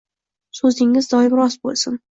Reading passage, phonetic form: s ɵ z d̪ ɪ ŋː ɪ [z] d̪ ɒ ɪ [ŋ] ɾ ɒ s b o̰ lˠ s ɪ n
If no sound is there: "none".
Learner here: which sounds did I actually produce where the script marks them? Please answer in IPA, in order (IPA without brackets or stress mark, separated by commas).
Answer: z, m